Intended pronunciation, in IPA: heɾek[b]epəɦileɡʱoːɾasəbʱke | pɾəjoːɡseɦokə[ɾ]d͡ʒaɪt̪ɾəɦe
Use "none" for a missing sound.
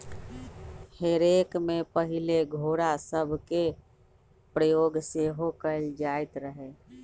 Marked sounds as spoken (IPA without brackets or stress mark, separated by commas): m, l